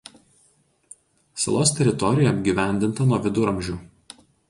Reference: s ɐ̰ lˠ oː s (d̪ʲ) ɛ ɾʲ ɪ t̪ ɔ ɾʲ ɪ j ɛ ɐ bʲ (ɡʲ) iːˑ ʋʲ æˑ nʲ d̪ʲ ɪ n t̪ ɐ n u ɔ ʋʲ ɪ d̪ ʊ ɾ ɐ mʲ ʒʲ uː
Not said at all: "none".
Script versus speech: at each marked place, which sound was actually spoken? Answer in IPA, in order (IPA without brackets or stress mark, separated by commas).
t̪ʲ, ɡʲ